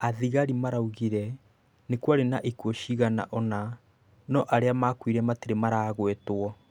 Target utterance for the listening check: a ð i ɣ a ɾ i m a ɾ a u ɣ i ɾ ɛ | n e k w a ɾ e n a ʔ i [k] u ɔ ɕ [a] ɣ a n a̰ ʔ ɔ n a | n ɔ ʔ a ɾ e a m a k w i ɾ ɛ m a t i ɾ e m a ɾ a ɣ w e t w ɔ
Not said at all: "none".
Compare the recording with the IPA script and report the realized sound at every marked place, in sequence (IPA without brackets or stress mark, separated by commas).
k, i